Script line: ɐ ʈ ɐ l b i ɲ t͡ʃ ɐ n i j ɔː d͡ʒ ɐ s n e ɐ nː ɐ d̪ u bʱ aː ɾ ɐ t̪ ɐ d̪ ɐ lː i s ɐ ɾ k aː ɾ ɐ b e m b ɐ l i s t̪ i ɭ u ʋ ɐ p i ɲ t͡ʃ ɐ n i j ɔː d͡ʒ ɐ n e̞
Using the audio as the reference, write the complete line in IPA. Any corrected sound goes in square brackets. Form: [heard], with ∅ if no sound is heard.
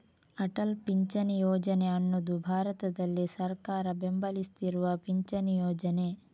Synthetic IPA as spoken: ɐ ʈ ɐ l [p] i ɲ t͡ʃ ɐ n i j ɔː d͡ʒ ɐ [∅] n e ɐ nː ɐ d̪ u bʱ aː ɾ ɐ t̪ ɐ d̪ ɐ lː i s ɐ ɾ k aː ɾ ɐ b e m b ɐ l i s t̪ i [ɾ] u ʋ ɐ p i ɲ t͡ʃ ɐ n i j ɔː d͡ʒ ɐ n e̞